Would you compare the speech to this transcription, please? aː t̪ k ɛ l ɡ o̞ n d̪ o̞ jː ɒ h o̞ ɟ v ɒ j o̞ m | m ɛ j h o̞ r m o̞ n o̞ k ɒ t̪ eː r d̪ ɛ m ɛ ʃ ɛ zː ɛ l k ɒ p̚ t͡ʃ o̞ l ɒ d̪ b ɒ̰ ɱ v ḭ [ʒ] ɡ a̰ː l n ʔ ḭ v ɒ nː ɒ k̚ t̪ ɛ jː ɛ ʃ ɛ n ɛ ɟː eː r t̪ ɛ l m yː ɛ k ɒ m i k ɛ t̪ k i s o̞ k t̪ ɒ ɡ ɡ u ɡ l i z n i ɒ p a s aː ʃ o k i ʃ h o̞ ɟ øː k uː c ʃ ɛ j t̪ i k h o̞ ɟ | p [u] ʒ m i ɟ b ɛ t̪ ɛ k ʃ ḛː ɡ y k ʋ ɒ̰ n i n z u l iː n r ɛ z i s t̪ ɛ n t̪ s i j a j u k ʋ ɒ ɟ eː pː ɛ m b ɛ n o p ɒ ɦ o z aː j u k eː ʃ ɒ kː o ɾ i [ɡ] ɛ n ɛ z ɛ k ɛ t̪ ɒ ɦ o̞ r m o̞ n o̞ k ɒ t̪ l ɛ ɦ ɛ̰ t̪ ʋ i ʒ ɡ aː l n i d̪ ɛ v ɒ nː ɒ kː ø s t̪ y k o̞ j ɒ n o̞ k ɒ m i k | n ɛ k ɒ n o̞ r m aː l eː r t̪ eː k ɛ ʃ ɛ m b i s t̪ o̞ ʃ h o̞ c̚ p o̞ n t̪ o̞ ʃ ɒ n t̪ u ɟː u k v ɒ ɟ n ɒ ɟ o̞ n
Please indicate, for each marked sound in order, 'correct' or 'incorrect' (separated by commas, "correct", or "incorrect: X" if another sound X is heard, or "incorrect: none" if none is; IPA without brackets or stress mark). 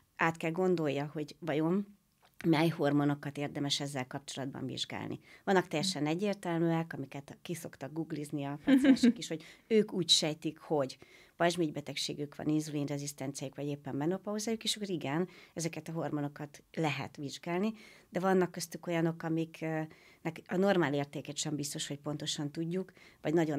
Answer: correct, incorrect: ɒ, correct